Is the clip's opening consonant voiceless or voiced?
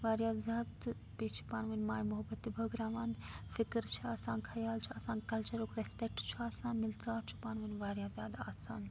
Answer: voiced